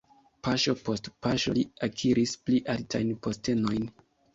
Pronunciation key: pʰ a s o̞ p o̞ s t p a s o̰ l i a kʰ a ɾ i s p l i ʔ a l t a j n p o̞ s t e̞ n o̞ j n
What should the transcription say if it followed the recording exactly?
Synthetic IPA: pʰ a ʃ o̞ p o̞ s t p a ʃ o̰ l i a kʰ i ɾ i s p l i ʔ a l t a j n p o̞ s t e̞ n o̞ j n